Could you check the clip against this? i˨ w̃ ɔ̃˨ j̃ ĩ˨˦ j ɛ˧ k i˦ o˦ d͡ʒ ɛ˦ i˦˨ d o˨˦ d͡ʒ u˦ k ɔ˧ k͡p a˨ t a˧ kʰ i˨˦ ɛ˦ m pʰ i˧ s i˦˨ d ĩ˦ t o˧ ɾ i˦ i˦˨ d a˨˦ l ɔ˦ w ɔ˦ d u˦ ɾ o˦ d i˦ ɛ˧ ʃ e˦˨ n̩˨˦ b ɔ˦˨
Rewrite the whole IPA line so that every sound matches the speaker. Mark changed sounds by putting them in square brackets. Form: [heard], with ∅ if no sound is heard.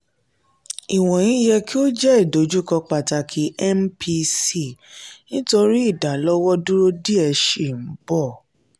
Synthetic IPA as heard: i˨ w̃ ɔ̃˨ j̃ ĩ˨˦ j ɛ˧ k i˦ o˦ d͡ʒ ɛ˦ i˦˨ d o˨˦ d͡ʒ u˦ k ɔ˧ k͡p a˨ t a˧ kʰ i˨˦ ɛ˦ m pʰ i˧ s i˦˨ [n] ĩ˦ t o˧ ɾ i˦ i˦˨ d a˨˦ l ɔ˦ w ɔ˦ d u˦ ɾ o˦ d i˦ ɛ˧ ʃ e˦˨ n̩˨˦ b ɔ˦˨